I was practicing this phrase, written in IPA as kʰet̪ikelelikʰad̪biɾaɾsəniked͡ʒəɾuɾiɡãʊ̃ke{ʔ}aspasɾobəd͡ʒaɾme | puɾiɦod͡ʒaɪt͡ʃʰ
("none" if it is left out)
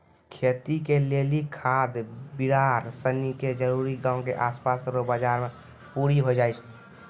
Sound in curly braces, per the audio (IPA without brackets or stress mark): ʔ